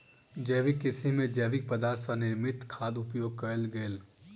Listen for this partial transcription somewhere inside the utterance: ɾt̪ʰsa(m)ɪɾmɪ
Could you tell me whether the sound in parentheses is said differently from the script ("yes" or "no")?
yes